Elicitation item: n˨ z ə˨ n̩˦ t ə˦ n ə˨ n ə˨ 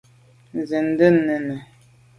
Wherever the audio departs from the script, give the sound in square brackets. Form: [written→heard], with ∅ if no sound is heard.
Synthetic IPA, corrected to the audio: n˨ z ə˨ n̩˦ [t→d] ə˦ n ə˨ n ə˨